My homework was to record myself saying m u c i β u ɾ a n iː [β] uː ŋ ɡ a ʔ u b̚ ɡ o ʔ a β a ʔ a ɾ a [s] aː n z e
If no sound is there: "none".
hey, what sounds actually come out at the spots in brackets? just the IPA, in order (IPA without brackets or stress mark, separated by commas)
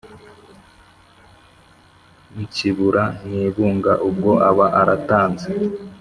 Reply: β, t